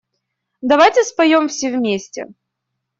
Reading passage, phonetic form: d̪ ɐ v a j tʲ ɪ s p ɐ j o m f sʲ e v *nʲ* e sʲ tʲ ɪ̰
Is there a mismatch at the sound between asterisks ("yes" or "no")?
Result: yes